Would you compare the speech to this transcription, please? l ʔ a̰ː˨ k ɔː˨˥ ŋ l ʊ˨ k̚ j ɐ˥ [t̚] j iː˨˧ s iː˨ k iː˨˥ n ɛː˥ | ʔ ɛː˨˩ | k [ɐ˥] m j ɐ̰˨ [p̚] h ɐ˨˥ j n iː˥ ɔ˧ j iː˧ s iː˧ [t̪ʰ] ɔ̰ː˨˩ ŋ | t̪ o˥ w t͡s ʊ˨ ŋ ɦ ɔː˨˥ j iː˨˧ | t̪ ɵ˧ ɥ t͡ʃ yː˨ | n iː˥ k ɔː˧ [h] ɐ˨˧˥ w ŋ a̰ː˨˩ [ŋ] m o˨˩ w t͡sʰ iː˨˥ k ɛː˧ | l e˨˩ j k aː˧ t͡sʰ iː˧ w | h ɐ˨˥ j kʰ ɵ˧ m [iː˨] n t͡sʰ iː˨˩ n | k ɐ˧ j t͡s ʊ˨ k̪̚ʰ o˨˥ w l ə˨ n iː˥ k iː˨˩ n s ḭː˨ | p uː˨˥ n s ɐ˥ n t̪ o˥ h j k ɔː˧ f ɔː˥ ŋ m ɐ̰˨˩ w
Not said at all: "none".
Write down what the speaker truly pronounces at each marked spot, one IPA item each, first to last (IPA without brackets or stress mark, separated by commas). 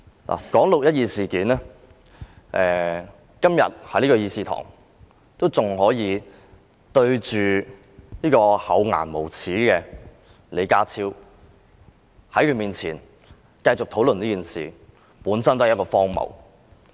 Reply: t̚, ɐ˥, t̚, t̪ʰ, h, n, iː˨